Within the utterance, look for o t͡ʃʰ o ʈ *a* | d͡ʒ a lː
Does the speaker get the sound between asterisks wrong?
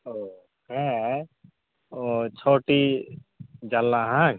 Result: yes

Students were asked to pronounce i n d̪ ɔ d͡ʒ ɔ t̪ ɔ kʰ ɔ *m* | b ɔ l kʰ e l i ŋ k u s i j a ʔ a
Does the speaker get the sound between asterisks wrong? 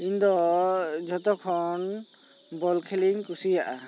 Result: yes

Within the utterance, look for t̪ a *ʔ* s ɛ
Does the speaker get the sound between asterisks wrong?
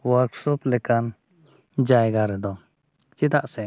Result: no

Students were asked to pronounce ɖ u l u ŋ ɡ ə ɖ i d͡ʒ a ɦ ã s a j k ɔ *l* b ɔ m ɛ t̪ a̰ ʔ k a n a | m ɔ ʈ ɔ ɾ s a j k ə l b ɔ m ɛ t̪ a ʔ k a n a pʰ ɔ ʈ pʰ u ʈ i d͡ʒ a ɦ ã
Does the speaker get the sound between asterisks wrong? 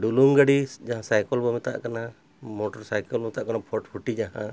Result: no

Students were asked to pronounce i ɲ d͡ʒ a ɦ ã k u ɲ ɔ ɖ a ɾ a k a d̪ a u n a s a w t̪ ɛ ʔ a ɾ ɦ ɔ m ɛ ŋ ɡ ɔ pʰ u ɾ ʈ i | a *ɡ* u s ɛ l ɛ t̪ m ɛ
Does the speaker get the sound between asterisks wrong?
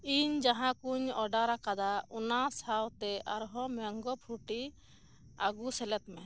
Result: no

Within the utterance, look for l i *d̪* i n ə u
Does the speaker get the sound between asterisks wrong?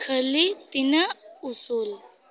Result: yes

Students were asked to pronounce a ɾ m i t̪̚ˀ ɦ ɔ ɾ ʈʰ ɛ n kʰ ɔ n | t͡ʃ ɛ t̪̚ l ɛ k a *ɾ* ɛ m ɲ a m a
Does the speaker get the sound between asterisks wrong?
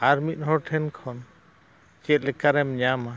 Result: no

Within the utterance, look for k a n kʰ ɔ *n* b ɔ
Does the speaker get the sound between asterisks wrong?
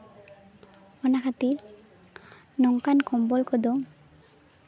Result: yes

